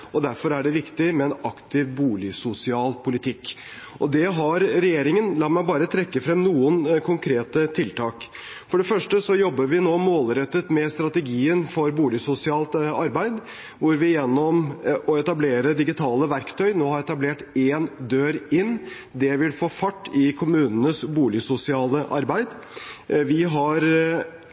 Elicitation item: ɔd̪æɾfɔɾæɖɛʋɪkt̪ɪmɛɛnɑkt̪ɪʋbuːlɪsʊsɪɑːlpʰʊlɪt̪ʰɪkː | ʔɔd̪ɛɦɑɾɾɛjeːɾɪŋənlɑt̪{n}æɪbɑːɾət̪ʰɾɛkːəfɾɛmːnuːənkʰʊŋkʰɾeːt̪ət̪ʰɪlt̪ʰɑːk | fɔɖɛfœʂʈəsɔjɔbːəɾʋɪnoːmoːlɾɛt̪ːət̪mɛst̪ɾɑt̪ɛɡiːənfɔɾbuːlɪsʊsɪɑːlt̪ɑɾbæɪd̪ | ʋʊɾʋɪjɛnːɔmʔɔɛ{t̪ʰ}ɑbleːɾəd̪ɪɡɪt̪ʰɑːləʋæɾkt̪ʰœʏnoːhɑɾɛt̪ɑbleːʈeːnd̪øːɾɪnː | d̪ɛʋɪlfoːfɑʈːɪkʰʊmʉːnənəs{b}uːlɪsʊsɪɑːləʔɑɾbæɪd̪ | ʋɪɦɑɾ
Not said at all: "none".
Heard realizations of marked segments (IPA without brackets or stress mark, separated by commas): m, t̪, b